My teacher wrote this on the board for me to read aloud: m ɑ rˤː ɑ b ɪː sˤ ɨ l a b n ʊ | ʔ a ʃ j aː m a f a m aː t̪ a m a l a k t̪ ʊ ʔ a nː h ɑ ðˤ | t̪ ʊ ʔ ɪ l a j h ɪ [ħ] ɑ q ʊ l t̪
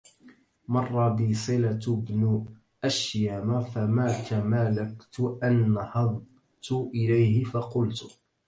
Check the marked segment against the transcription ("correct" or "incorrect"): incorrect